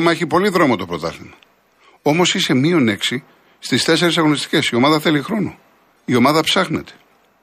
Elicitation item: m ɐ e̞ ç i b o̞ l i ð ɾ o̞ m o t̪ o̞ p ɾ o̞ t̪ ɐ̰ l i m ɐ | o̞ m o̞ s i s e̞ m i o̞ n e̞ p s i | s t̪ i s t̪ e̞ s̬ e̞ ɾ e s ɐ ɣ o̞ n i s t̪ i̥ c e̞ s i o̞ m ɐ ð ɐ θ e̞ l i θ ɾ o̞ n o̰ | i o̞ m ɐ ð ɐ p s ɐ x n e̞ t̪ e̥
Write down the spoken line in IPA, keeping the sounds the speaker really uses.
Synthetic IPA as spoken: m ɐ e̞ ç i p o̞ l i ð ɾ o̞ m o t̪ o̞ p ɾ o̞ t̪ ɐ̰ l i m ɐ | o̞ m o̞ s i s e̞ m i o̞ n e̞ k s i | s t̪ i s t̪ e̞ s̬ e̞ ɾ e s ɐ ɣ o̞ n i s t̪ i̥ c e̞ s i o̞ m ɐ ð ɐ θ e̞ l i x ɾ o̞ n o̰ | i o̞ m ɐ ð ɐ p s ɐ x n e̞ t̪ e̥